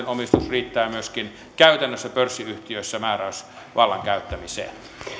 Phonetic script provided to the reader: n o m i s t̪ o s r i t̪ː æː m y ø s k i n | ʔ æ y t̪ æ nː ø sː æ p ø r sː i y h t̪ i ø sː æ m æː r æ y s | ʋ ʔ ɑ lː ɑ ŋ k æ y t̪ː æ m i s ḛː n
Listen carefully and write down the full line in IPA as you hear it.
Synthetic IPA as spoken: n o m i s t̪ u s r iː t̪ː æː m y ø s k i n | k æ y t̪ æ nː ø sː æ p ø r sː i y h t̪ i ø sː æ m æː r æ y s | ʋ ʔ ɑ lː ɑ ŋ k æ y t̪ː æ m i s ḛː n

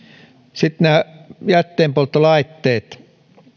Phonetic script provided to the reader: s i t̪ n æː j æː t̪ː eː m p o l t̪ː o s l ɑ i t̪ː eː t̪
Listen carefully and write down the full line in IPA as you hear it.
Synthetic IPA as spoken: s i t̪ n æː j æ t̪ː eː m p o l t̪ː o l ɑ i t̪ː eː t̪

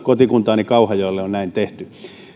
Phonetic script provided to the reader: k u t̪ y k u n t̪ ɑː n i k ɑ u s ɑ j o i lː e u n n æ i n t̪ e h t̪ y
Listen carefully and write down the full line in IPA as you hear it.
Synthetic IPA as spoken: k o t̪ i k u n t̪ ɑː n i k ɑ u h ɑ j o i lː e o n n æ i n t̪ e h t̪ y

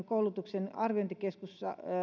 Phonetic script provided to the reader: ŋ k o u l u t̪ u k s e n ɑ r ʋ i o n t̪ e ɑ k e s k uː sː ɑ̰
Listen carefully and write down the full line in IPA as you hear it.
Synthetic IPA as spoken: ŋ k o u l u t̪ u k s e n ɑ r ʋ i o n t̪ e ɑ k e s k u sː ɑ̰

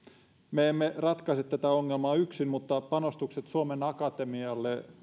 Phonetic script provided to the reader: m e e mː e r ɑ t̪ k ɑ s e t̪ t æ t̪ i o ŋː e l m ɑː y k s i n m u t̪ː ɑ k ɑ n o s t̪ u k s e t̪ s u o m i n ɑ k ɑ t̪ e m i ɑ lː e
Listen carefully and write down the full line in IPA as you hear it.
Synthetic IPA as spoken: m e e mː e r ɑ t̪ k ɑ s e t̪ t æ t̪ æ o ŋː e l m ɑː y k s i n m u t̪ː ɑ p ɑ n o s t̪ u k s e t̪ s u o m e n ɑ k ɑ t̪ e m i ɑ lː e

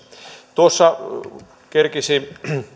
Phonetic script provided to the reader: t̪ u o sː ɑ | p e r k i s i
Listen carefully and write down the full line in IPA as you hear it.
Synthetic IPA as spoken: t̪ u o sː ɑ | k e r k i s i

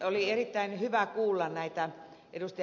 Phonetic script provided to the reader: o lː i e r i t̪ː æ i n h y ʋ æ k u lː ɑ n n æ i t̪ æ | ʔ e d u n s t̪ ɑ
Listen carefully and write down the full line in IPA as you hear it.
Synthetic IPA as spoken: o l i e r i t̪ː æ i n h y ʋ æ k uː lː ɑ n n æ i t̪ æ | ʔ e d u s t̪ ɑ

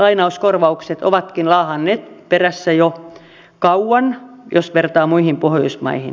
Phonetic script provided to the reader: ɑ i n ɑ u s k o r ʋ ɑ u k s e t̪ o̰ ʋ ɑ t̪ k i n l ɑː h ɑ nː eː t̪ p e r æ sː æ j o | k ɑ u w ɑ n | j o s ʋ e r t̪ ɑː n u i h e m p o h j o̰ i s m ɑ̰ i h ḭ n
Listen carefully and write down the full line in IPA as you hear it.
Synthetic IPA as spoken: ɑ i n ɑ u s k o r ʋ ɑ u k s e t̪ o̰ ʋ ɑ t̪ k i n l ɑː h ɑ nː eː t̪ p e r æ sː æ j o | k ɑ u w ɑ n | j o s ʋ e r t̪ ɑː m u i h i m p o h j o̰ i s m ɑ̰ i h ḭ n

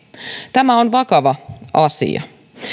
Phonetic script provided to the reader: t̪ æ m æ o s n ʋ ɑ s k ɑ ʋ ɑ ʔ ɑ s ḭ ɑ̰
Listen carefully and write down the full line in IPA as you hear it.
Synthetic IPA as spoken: t̪ æ m æ o n ʋ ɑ k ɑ ʋ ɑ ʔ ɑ s ḭ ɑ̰

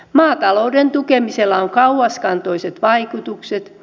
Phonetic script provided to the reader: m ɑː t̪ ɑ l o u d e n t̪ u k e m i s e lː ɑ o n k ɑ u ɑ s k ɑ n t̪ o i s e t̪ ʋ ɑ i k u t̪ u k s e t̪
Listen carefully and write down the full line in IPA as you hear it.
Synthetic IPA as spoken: m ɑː t̪ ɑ l o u d e n t̪ u k e m i s e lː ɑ o ŋ k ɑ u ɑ s k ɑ n t̪ o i s e t̪ ʋ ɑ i k u t̪ u k s e t̪

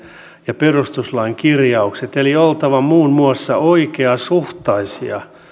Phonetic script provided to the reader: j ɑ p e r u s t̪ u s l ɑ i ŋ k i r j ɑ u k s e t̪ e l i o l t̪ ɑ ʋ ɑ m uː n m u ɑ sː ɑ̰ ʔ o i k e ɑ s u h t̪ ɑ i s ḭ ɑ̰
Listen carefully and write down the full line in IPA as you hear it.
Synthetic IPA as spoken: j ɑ p e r u s t̪ u s l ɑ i ŋ k i r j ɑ u k s e t̪ e l i o l t̪ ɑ ʋ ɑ m uː n m u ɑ sː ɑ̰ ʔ o i k e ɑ s u h t̪ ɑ i s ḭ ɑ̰

